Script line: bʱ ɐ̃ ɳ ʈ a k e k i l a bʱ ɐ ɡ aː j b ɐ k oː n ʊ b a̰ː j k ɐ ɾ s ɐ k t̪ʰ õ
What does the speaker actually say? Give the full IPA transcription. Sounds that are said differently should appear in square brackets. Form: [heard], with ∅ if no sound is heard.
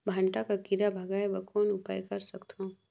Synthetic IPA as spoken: bʱ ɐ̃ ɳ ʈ a k [a] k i [ɾ] a bʱ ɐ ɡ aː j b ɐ k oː n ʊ [p] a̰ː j k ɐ ɾ s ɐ k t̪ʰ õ